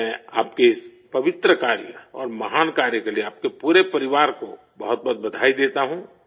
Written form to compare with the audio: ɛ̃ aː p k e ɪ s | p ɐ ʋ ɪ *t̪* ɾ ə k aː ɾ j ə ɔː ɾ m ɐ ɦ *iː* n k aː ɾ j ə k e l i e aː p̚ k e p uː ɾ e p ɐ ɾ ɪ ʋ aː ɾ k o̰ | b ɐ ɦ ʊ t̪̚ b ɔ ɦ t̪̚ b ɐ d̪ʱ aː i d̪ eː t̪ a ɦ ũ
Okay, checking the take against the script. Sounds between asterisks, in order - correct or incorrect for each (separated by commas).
correct, incorrect